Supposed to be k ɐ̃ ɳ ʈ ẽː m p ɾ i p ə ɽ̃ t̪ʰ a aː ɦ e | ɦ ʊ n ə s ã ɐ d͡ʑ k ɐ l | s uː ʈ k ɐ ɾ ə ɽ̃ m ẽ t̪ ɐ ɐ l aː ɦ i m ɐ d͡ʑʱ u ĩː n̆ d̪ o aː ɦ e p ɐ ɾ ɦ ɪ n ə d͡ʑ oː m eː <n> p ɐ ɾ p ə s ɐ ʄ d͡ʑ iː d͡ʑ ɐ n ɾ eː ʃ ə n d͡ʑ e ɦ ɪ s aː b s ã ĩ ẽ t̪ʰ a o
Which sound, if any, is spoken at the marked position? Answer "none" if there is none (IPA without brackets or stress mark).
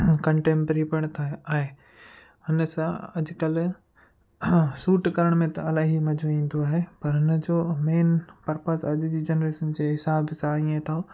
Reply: n